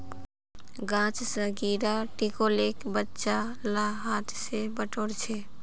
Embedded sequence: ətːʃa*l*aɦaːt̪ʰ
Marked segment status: correct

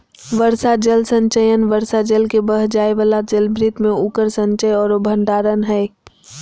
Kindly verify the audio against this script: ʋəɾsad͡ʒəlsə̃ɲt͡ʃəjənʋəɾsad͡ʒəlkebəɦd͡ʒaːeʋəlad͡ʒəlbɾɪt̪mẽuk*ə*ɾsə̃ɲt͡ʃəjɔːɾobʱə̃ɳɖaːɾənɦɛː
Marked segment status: correct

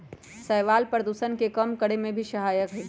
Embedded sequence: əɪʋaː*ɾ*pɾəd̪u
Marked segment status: incorrect: l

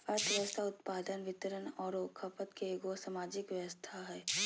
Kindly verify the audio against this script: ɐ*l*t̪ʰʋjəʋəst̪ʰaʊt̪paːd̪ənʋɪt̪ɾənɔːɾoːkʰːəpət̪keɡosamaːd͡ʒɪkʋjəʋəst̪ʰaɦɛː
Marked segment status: incorrect: ɾ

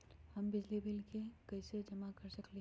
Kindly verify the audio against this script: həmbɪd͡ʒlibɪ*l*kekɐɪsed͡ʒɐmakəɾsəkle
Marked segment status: correct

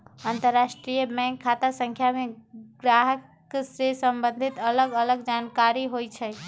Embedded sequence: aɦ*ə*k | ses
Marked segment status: correct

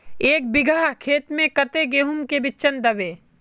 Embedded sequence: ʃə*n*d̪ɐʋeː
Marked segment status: correct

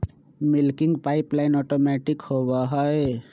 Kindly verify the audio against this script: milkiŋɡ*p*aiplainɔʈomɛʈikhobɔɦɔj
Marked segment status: correct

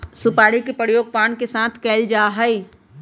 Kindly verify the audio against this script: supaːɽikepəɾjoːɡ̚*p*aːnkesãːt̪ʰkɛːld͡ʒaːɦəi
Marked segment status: correct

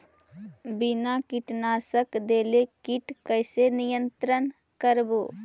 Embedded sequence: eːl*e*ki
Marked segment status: correct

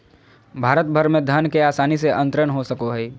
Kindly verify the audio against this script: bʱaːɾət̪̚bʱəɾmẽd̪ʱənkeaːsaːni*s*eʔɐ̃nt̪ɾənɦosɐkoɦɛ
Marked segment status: correct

